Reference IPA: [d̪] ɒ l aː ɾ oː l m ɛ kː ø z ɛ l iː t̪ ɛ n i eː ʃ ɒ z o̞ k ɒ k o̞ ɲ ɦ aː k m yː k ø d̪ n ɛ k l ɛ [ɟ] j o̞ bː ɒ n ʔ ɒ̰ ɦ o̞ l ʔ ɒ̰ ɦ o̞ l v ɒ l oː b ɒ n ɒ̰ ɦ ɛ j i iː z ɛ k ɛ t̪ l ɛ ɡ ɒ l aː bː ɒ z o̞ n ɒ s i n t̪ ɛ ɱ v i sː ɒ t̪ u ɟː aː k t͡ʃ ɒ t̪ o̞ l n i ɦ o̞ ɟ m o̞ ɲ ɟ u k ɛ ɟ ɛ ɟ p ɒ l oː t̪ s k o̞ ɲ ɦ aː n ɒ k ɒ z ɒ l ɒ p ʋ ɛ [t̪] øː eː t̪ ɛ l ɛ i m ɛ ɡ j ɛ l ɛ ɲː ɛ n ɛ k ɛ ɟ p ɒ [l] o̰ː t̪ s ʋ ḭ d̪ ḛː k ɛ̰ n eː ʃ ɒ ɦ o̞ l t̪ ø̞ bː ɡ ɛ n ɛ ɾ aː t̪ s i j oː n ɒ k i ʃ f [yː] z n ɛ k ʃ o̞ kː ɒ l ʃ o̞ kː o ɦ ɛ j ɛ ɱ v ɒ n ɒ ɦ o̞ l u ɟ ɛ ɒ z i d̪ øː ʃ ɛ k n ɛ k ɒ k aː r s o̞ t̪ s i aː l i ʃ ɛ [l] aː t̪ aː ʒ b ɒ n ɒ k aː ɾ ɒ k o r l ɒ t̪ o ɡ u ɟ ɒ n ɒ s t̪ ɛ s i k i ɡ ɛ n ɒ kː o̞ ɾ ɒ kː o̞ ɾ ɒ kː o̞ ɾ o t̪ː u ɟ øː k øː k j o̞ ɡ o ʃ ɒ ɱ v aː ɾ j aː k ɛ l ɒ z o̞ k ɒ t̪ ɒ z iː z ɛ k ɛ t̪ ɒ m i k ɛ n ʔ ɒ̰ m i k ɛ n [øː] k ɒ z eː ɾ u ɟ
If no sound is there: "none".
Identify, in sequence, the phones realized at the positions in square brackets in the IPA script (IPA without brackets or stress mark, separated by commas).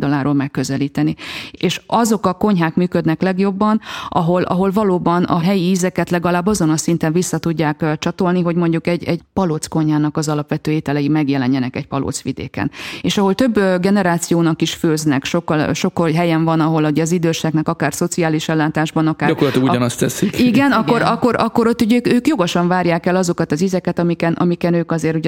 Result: d̪, ɡ, t̪, l, øː, lː, øː